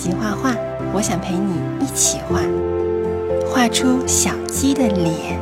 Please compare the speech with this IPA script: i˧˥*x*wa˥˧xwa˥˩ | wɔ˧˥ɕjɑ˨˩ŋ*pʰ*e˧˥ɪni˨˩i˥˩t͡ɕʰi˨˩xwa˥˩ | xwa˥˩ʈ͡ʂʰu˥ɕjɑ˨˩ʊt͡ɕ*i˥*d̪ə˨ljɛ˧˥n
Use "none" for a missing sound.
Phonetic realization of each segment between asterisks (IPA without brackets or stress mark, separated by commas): x, pʰ, i˥